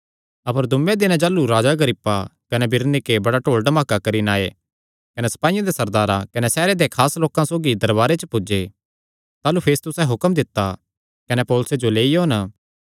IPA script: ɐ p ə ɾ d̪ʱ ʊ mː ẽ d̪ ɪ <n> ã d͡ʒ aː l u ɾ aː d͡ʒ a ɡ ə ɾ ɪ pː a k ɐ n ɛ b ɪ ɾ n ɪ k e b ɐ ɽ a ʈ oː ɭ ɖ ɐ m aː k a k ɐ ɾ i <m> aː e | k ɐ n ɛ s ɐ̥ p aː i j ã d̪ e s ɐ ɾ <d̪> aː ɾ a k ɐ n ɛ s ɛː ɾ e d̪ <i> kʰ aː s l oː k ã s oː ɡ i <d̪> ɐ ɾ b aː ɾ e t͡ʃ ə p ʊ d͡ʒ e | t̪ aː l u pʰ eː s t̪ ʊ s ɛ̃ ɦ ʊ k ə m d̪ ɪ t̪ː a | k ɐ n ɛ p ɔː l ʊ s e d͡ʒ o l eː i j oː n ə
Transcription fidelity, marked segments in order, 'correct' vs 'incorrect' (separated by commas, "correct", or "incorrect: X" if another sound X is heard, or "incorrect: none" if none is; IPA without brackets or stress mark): correct, incorrect: n, correct, incorrect: e, correct